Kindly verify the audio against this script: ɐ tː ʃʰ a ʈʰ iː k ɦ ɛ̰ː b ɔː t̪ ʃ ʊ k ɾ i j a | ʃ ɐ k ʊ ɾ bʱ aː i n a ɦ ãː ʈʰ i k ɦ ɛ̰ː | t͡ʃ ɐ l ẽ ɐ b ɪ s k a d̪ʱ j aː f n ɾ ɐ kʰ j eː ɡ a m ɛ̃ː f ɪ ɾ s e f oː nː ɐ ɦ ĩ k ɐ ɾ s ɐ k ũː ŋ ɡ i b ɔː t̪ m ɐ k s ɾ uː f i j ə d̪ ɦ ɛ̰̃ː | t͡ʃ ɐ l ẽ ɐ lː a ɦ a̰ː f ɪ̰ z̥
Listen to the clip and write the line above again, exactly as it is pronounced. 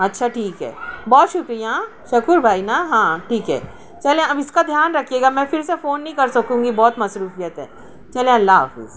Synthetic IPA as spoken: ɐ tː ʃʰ a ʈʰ iː k ɦ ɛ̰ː b ɔː t̪ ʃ ʊ k ɾ i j a | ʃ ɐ k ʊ ɾ bʱ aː i n a ɦ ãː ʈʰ iː k ɦ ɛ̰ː | t͡ʃ ɐ l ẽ ɐ b ɪ s k a d̪ʱ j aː n ɾ ɐ kʰ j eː ɡ a m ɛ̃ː f ɪ ɾ s e f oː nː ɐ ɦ ĩ k ɐ ɾ s ɐ k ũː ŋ ɡ i b ɔː t̪ m ɐ s ɾ uː f i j ə t̪ ɦ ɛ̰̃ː | t͡ʃ ɐ l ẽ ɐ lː a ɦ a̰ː f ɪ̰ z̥

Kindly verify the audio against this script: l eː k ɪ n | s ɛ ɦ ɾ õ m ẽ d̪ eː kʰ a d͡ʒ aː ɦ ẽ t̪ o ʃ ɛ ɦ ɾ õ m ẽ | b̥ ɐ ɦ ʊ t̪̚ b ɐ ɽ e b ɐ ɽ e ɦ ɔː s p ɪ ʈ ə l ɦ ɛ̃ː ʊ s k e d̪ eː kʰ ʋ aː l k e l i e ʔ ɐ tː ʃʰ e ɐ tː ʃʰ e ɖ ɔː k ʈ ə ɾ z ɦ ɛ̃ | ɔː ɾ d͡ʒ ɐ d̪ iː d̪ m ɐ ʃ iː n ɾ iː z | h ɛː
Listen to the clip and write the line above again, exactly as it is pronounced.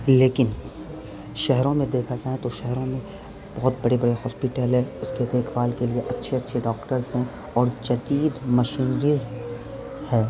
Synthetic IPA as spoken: l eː k ɪ n | ʃ ɛ ɦ ɾ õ m ẽ d̪ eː kʰ a d͡ʒ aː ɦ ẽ t̪ o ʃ ɛ ɦ ɾ õ m ẽ | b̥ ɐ ɦ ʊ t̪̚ b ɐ ɽ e b ɐ ɽ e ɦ ɔː s p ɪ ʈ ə l ɦ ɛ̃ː ʊ s k e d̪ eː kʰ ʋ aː l k e l i e ʔ ɐ tː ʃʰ e ɐ tː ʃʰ e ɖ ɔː k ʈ ə ɾ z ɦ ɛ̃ | ɔː ɾ d͡ʒ ɐ d̪ iː d̪ m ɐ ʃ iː n ɾ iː z | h ɛː

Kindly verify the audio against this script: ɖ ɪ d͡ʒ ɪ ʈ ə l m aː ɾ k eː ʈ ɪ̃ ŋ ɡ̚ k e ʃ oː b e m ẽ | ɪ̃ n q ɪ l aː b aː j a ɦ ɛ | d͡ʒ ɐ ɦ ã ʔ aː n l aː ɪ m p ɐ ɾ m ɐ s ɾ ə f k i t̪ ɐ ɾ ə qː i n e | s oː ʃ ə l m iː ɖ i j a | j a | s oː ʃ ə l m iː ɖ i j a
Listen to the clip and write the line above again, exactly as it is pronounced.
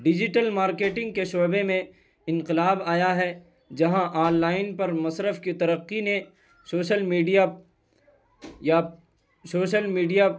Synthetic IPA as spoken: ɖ ɪ d͡ʒ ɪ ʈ ə l m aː ɾ k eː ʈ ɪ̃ ŋ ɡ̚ k e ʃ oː b e m ẽ | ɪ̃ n q ɪ l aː b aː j a ɦ ɛ | d͡ʒ ɐ ɦ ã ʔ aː n l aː ɪ n p ɐ ɾ m ɐ s ɾ ə f k i t̪ ɐ ɾ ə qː i n e | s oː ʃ ə l m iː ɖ i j a | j a | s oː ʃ ə l m iː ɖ i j a

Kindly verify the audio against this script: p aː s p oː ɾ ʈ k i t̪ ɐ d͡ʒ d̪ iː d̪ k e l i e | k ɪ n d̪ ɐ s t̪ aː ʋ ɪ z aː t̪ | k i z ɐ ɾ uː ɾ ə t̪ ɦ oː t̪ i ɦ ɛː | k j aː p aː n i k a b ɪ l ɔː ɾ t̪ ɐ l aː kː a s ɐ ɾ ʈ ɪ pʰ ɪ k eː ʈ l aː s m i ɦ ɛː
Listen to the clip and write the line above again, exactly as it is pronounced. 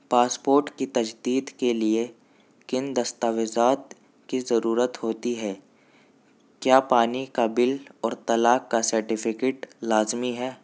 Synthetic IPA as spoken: p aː s p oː ɾ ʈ k i t̪ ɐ d͡ʒ d̪ iː d̪ k e l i e | k ɪ n d̪ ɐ s t̪ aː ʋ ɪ z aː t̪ | k i z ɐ ɾ uː ɾ ə t̪ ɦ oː t̪ i ɦ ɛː | k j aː p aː n i k a b ɪ l ɔː ɾ t̪ ɐ l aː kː a s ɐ ɾ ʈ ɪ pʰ ɪ k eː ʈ l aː z m i ɦ ɛː

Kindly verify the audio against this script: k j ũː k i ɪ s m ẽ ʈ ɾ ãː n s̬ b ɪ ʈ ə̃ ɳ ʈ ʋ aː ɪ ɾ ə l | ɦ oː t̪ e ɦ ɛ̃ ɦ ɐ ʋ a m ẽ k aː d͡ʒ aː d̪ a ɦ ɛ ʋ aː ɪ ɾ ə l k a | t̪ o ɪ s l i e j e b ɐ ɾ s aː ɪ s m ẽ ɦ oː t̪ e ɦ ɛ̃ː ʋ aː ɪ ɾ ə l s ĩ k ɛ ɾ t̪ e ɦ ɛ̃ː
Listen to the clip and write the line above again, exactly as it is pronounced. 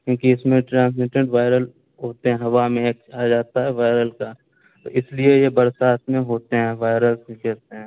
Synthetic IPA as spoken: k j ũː k i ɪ s m ẽ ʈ ɾ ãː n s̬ m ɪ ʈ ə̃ ɳ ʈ ʋ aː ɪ ɾ ə l | ɦ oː t̪ e ɦ ɛ̃ ɦ ɐ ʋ a m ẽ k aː d͡ʒ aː t̪ a ɦ ɛ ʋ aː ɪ ɾ ə l k a | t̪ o ɪ s l i e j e b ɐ ɾ s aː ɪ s m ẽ ɦ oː t̪ e ɦ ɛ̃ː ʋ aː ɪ ɾ ə l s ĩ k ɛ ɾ t̪ e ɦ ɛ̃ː

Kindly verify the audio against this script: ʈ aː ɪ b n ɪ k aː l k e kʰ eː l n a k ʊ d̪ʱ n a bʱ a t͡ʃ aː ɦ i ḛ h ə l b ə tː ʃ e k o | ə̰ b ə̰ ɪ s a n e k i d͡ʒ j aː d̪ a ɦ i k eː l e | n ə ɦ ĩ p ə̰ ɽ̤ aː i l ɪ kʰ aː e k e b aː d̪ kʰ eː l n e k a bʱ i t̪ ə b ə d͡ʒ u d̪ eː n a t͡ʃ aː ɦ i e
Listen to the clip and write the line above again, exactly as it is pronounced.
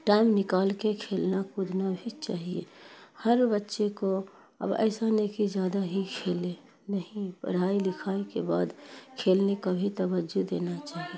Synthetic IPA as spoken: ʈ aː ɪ m n ɪ k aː l k e kʰ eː l n a k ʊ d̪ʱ n a bʱ i t͡ʃ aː ɦ i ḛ h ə ɾ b ə tː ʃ e k o | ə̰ b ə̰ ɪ s a n e k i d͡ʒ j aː d̪ a ɦ i kʰ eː l e | n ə ɦ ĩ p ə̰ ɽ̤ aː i l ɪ kʰ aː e k e b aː d̪ kʰ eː l n e k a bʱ i t̪ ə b ə d͡ʒ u d̪ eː n a t͡ʃ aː ɦ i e

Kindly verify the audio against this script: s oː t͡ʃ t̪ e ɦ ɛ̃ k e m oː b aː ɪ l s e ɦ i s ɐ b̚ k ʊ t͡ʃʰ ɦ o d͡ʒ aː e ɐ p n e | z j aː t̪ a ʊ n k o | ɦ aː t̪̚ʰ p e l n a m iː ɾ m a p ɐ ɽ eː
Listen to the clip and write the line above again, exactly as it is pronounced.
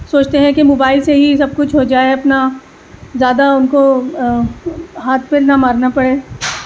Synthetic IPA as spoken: s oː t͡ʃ t̪ e ɦ ɛ̃ k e m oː b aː ɪ l s e ɦ i s ɐ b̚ k ʊ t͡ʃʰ ɦ o d͡ʒ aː e ɐ p n a | z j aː d̪ a ʊ n k o | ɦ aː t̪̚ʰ p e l n a m aː ɾ n a p ɐ ɽ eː

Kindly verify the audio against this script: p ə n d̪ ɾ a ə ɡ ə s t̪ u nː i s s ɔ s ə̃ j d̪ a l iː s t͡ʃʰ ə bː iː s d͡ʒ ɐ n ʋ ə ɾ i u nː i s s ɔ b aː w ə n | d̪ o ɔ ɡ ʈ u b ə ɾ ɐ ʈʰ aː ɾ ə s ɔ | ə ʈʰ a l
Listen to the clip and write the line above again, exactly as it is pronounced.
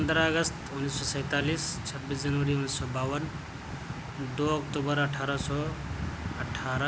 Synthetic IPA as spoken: p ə n d̪ ɾ a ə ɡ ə s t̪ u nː i s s ɔ s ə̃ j t̪ a l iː s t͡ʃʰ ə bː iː s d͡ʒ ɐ n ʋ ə ɾ i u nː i s s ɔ b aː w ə n | d̪ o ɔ k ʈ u b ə ɾ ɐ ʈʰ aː ɾ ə s ɔ | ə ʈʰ a ɾ

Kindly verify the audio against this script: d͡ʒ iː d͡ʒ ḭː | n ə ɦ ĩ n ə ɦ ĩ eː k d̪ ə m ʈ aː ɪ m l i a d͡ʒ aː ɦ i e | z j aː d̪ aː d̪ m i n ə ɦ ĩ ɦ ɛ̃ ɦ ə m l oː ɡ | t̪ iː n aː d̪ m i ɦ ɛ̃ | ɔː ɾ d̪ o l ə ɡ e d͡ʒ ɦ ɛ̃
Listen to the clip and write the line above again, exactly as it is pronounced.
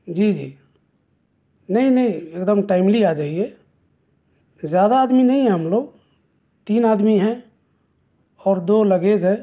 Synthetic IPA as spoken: d͡ʒ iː d͡ʒ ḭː | n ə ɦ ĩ n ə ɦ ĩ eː k d̪ ə m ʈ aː ɪ m l i a d͡ʒ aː ɦ i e | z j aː d̪ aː d̪ m i n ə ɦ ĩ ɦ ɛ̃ ɦ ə m l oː ɡ | t̪ iː n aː d̪ m i ɦ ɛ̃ | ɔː ɾ d̪ o l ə ɡ e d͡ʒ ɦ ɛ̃

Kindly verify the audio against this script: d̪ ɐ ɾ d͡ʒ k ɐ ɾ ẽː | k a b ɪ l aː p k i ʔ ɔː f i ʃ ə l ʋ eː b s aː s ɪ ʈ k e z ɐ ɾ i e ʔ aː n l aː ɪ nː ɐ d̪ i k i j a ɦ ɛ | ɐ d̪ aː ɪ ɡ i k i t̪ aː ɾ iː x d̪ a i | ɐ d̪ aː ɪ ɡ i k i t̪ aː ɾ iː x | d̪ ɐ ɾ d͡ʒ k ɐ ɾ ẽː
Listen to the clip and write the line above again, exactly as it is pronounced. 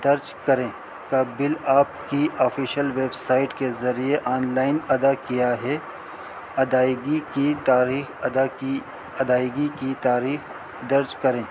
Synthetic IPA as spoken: d̪ ɐ ɾ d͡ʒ k ɐ ɾ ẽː | k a b ɪ l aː p k i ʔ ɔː f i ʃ ə l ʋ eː b s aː ɪ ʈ k e z ɐ ɾ i e ʔ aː n l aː ɪ n ɐ d̪ a k i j a ɦ ɛ | ɐ d̪ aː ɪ ɡ i k i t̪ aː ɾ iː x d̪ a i | ɐ d̪ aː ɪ ɡ i k i t̪ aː ɾ iː x | d̪ ɐ ɾ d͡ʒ k ɐ ɾ ẽː

